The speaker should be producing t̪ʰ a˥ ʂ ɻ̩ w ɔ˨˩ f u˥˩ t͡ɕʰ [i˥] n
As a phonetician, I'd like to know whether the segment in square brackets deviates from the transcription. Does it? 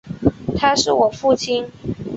no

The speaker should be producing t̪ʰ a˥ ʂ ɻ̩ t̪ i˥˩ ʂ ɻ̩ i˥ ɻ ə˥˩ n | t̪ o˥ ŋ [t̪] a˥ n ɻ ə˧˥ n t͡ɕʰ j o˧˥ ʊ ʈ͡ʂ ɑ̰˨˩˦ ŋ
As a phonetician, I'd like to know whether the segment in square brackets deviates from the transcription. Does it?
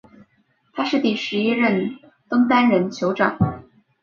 no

